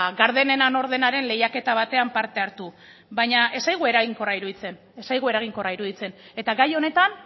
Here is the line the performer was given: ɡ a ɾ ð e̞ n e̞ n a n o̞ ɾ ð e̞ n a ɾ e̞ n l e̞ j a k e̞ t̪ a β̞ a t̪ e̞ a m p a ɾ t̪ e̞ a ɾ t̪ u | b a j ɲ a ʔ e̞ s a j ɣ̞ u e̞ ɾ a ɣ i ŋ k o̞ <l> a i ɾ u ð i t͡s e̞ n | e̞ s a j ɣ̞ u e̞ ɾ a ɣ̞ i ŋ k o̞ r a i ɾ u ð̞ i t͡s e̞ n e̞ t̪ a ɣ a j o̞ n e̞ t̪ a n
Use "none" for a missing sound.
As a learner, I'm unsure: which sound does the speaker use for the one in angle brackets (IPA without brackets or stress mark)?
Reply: r